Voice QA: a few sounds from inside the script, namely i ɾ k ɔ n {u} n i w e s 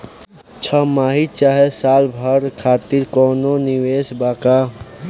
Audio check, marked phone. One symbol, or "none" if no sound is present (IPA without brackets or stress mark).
o